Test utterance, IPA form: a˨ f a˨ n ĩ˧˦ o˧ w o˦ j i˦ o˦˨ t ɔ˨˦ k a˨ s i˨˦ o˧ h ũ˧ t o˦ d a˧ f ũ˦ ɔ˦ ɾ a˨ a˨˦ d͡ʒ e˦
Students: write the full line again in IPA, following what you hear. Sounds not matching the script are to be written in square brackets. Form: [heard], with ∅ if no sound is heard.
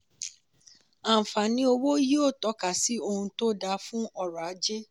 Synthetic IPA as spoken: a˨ f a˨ n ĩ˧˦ o˧ w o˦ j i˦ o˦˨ t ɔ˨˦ k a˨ s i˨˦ o˧ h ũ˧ t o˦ d a˧ f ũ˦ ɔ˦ ɾ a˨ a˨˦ d͡ʒ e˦